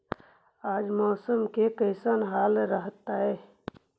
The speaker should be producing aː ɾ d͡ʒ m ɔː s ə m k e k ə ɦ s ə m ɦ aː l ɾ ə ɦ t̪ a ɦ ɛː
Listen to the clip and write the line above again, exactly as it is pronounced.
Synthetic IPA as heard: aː d͡ʒ m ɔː s ə m k e k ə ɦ s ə n ɦ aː l ɾ ə ɦ t̪ a ɦ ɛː